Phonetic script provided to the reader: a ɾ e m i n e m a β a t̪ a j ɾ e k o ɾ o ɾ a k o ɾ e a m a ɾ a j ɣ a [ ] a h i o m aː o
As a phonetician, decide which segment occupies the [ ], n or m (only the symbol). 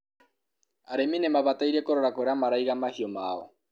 m